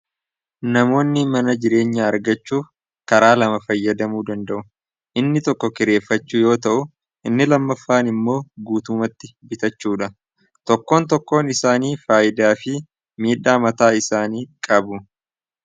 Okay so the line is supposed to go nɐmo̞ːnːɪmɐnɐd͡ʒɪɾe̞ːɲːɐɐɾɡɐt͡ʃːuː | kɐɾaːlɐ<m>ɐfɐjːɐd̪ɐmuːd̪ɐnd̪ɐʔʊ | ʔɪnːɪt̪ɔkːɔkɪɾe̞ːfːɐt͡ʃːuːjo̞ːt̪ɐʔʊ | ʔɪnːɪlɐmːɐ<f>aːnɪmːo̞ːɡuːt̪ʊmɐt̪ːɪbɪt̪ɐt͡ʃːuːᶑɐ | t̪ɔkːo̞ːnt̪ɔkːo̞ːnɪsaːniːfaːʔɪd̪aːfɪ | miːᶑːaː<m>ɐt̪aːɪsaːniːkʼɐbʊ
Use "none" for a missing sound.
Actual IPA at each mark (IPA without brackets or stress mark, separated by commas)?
m, fː, m